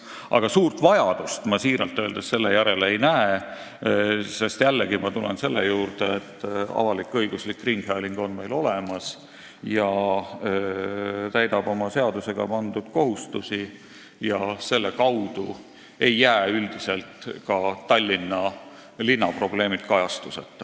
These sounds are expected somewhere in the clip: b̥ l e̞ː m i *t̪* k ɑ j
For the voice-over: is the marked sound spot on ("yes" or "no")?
yes